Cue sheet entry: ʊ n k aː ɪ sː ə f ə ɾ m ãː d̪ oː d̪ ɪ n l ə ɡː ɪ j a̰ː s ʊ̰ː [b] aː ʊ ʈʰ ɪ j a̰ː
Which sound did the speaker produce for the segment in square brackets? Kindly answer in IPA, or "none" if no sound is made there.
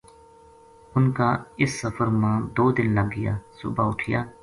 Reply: b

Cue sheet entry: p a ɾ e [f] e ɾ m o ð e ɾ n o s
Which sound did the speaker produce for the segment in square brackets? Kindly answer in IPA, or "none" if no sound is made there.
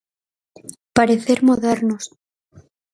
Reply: θ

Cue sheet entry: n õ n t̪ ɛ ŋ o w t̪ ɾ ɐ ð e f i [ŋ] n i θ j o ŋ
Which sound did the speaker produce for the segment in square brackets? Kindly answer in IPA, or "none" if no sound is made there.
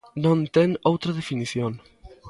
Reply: none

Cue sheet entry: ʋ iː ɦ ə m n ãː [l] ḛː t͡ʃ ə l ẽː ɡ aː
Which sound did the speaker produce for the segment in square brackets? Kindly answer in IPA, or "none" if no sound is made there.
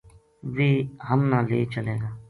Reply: l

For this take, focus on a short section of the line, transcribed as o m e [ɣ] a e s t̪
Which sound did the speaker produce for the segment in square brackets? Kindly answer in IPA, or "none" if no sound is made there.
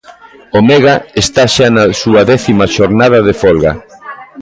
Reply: ɣ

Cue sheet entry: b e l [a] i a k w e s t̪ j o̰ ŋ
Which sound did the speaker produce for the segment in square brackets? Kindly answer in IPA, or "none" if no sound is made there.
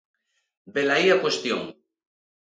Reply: a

